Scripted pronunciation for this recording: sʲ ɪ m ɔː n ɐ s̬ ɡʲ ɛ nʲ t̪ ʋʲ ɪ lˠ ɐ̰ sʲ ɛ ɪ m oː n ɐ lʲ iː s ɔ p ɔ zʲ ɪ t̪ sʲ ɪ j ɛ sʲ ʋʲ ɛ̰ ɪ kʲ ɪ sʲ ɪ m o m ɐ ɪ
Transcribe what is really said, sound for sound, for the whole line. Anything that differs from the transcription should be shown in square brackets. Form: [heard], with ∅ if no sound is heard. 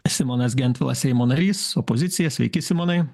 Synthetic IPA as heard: sʲ ɪ m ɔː n ɐ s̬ ɡʲ ɛ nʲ t̪ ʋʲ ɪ lˠ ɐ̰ sʲ ɛ ɪ m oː n ɐ [ɾʲ] iː s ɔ p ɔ zʲ ɪ t̪ sʲ ɪ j ɛ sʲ ʋʲ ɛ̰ ɪ kʲ ɪ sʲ ɪ m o [n] ɐ ɪ